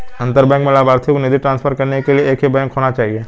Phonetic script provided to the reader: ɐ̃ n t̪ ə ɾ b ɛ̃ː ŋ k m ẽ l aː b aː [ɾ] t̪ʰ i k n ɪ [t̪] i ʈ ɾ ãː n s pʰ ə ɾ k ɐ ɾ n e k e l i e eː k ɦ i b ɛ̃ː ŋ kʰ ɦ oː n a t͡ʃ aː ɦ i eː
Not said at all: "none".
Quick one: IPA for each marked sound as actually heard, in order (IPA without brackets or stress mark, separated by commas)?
ɾ, d̪